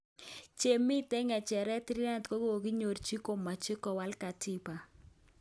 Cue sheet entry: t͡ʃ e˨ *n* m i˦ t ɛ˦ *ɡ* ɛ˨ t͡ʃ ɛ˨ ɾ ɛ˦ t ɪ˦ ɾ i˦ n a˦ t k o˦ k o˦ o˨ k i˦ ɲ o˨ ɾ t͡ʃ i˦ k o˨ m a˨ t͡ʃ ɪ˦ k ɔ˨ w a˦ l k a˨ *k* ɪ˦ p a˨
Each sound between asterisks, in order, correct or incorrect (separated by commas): incorrect, incorrect, incorrect